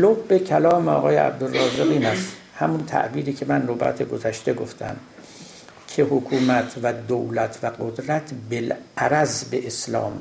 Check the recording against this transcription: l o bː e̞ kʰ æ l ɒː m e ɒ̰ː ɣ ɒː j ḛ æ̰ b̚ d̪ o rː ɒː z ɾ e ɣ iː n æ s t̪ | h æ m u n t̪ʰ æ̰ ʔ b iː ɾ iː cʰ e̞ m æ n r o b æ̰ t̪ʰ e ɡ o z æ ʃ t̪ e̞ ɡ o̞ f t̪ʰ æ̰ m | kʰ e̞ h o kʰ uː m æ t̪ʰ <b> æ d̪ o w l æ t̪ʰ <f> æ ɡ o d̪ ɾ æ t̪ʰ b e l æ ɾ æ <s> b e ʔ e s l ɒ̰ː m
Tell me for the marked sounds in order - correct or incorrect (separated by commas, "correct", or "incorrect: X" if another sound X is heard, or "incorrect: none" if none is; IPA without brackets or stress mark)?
incorrect: v, incorrect: v, incorrect: z